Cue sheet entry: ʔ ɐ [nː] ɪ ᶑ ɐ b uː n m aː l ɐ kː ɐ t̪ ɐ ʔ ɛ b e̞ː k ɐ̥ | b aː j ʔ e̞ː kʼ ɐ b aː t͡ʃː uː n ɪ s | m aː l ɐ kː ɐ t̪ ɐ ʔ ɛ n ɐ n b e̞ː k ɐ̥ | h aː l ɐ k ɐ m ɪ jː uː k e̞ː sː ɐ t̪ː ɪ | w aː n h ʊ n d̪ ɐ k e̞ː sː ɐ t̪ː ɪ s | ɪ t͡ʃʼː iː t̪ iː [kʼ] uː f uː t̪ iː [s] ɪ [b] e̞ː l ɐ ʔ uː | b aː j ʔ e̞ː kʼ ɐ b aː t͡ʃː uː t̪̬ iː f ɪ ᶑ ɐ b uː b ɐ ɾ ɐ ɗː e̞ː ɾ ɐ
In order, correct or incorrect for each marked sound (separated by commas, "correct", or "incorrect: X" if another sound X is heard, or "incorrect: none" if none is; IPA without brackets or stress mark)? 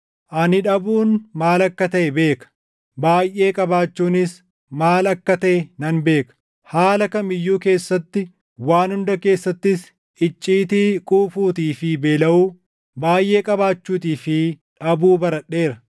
incorrect: n, correct, incorrect: f, correct